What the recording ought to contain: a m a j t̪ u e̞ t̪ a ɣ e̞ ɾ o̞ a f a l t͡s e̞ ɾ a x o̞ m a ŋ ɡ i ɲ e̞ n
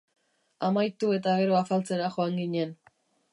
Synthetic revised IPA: a m a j t̪ u e̞ t̪ a ɣ e̞ ɾ o̞ a f a l t͡s e̞ ɾ a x o̞ a ŋ ɡ i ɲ e̞ n